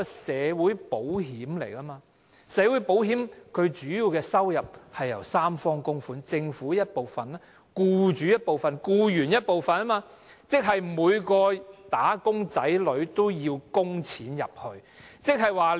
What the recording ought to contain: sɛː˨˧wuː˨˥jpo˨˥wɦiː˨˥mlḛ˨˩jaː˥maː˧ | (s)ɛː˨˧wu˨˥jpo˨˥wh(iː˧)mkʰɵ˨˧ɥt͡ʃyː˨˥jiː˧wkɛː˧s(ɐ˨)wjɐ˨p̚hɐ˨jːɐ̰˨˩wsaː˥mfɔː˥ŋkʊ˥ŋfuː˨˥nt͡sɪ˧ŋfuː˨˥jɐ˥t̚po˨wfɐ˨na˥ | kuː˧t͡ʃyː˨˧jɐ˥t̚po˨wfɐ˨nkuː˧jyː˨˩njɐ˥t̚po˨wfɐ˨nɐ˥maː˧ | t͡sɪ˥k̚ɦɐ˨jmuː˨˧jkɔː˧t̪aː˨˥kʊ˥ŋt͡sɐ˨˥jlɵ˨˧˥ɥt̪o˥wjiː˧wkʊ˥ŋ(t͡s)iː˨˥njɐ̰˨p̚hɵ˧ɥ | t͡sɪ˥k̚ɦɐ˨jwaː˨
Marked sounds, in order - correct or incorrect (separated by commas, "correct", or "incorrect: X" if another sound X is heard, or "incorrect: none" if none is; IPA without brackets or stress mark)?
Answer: correct, incorrect: iː˨˥, incorrect: ɐ˥, incorrect: t͡sʰ